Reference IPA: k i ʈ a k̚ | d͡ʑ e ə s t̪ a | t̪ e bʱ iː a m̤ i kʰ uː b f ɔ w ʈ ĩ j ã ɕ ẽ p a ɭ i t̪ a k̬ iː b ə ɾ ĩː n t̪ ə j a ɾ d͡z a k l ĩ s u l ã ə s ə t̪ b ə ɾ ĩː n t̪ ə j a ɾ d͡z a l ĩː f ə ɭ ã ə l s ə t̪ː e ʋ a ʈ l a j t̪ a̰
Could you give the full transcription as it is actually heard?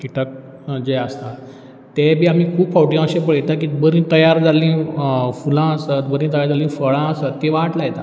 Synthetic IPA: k i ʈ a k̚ | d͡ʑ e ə s t̪ a | t̪ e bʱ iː a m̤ i kʰ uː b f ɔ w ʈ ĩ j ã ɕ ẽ p ə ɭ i t̪ a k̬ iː b ə ɾ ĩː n t̪ ə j a ɾ d͡z a l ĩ f u l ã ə s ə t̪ b ə ɾ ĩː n t̪ ə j a ɾ d͡z a l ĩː f ə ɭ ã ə s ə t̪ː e ʋ a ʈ l a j t̪ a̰